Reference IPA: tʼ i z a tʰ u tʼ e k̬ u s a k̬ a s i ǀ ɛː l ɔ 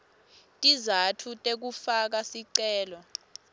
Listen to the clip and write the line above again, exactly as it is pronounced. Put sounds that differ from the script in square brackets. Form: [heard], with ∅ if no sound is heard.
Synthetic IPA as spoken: tʼ i z a tʰ u tʼ e k̬ u [f] a k̬ a s i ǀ ɛː l ɔ